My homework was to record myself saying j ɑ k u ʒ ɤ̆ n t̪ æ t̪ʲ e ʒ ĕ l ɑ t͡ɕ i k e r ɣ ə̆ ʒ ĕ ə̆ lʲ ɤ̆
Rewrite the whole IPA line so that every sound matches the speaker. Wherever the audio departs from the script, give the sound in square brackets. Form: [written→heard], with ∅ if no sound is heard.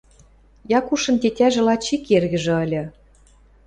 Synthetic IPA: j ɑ k u [ʒ→ʃ] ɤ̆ n t̪ [æ→e] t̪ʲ [e→æ] ʒ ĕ l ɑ t͡ɕ i k e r ɣ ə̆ ʒ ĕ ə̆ lʲ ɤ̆